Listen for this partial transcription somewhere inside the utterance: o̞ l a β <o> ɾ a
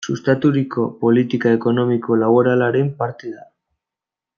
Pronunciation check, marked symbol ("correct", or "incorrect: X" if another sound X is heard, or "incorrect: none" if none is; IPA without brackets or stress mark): correct